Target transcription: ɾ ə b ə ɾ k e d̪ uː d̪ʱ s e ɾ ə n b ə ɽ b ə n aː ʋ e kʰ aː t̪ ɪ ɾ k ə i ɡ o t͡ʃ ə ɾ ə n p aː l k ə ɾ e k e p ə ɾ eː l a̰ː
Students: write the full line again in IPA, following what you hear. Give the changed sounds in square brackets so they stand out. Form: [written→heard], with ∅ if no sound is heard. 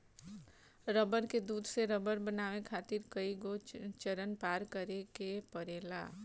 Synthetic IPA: ɾ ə b ə ɾ k e d̪ uː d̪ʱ s e ɾ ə [n→∅] b ə [ɽ→ɾ] b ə n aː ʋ e kʰ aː t̪ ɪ ɾ k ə i ɡ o t͡ʃ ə ɾ ə n p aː [l→ɾ] k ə ɾ e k e p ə ɾ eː l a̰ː